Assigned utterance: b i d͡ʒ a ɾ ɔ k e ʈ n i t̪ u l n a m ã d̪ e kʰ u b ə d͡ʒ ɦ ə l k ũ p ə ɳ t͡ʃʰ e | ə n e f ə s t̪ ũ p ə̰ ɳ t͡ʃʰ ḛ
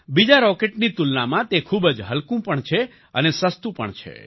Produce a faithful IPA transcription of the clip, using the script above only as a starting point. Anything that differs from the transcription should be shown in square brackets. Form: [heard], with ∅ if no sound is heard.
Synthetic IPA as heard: b i d͡ʒ a ɾ ɔ k e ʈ n i t̪ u l n a m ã [t̪] e kʰ u b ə d͡ʒ ɦ ə l k ũ p ə ɳ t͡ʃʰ e | ə n e [s] ə s t̪ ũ p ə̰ ɳ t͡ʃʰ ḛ

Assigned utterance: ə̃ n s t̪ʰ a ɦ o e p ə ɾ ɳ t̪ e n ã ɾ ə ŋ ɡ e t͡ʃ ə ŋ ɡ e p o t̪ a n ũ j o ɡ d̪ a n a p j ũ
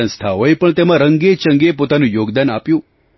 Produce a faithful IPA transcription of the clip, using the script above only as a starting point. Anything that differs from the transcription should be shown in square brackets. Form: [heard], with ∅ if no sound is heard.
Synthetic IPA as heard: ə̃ n s t̪ʰ a ɦ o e p ə [∅] ɳ t̪ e [m] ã ɾ ə ŋ ɡ e t͡ʃ ə ŋ ɡ e p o t̪ a n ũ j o ɡ d̪ a n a p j ũ

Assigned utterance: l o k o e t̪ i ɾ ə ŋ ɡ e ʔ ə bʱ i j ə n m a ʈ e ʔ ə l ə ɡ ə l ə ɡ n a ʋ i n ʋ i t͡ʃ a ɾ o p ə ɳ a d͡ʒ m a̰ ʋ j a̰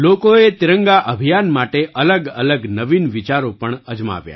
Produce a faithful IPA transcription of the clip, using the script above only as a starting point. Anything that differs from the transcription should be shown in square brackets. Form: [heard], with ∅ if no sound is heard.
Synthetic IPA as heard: l o k o e t̪ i ɾ ə ŋ ɡ [a] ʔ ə bʱ i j [a] n m a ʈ e ʔ ə l ə ɡ ə l ə ɡ n [ə] ʋ i n ʋ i t͡ʃ a ɾ o p ə ɳ [ə] d͡ʒ m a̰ ʋ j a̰

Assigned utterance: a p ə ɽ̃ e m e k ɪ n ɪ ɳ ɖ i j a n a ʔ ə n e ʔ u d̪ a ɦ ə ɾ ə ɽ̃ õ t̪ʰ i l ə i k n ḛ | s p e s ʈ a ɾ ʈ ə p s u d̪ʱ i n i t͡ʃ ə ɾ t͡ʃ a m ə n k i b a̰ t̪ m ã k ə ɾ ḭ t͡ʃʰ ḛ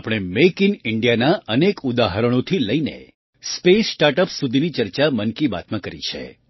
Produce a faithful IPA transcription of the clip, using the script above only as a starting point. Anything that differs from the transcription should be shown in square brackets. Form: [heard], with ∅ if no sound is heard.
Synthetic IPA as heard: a p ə ɽ̃ e m e k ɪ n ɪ ɳ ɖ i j a n a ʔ ə n e [k] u d̪ a ɦ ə ɾ ə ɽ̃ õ t̪ʰ i l ə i [∅] n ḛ | s p e s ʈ a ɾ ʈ ə p s u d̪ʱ i n i t͡ʃ ə ɾ t͡ʃ a m ə n k i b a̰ t̪ m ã k ə ɾ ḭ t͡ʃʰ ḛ

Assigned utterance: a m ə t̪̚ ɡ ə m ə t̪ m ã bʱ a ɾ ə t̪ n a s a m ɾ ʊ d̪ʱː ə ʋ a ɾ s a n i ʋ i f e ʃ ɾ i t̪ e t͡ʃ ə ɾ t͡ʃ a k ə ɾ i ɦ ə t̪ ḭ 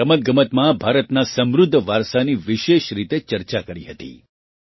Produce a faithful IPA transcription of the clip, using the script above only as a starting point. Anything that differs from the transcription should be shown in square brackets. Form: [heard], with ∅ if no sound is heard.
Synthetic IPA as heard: [ə] m ə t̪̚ ɡ ə m ə t̪ m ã bʱ a ɾ ə t̪ n a s [ə] m ɾ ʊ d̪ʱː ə ʋ a ɾ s a n i ʋ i [ʃ] e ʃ ɾ i t̪ e t͡ʃ ə ɾ t͡ʃ a k ə ɾ i ɦ ə t̪ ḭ

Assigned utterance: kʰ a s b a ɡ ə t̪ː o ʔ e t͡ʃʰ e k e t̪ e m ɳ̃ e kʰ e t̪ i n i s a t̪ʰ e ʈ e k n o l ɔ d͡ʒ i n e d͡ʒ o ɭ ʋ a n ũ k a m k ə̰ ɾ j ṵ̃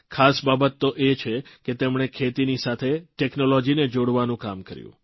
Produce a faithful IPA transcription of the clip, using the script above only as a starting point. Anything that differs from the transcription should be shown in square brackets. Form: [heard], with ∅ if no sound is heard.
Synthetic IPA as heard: kʰ a s b a [b] ə t̪ː o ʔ e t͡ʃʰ e k e t̪ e m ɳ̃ e kʰ e t̪ i n i s a t̪ʰ e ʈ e k n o l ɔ d͡ʒ i n e d͡ʒ o [ɽ] ʋ a n ũ k a m k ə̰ ɾ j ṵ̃

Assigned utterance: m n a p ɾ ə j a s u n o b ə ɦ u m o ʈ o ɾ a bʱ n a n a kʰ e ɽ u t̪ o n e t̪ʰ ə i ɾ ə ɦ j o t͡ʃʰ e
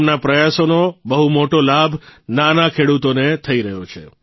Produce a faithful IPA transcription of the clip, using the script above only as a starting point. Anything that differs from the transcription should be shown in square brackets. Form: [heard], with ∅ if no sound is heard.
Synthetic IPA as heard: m n a p ɾ ə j a s [o] n o b ə ɦ u m o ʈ o [l] a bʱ n a n a kʰ e ɽ u t̪ o n e t̪ʰ ə i ɾ ə ɦ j o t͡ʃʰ e

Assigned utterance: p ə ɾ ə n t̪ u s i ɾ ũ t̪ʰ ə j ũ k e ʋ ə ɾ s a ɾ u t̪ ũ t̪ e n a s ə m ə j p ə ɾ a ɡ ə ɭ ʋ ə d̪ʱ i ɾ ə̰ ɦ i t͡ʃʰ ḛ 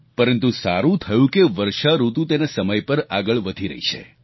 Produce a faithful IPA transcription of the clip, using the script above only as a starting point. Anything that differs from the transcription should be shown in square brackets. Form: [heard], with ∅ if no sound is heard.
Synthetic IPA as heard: p ə ɾ ə n t̪ u s [a] ɾ ũ t̪ʰ ə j ũ k e ʋ ə ɾ [ʃ] a ɾ u t̪ ũ t̪ e n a s ə m ə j p ə ɾ a ɡ ə ɭ ʋ ə d̪ʱ i ɾ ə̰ ɦ i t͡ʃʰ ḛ

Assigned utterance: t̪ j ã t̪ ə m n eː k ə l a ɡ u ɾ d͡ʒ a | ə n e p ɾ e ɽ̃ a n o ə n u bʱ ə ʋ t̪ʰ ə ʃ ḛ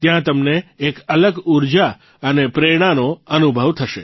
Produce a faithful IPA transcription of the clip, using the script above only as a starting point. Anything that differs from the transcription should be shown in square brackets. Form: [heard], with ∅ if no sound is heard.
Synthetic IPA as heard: t̪ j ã t̪ ə m n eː k ə l [ə] ɡ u ɾ d͡ʒ a | ə n e p ɾ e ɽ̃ a n o ə n u bʱ ə ʋ t̪ʰ ə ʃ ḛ

